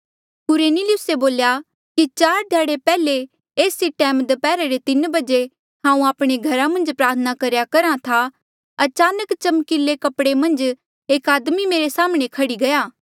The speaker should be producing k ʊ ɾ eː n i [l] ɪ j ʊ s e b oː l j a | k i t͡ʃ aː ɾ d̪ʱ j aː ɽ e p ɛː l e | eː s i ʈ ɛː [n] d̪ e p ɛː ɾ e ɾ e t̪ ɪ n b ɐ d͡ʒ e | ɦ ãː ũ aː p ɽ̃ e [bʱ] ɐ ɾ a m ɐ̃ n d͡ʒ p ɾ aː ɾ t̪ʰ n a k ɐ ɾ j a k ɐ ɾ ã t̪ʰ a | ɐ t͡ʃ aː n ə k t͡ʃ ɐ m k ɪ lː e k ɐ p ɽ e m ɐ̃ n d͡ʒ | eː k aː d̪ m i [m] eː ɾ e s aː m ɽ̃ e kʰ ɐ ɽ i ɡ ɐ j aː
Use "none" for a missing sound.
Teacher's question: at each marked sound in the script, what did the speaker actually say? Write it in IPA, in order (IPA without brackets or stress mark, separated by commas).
l, m, ɡʱ, m